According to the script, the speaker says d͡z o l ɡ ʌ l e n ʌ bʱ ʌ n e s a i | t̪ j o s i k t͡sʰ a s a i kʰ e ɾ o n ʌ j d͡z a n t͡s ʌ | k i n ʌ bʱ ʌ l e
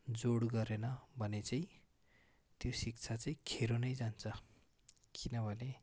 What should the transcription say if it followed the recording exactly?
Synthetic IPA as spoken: d͡z o ɽ ɡ ʌ ɾ e n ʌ bʱ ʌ n e t͡s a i | t̪ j o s i k t͡sʰ a t͡s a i kʰ e ɾ o n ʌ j d͡z a n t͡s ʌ | k i n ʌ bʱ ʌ l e